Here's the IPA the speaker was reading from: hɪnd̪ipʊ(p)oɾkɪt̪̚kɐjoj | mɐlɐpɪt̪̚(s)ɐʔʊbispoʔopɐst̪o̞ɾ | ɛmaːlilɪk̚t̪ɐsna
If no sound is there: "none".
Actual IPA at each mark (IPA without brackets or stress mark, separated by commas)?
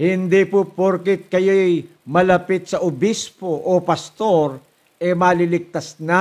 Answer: p, s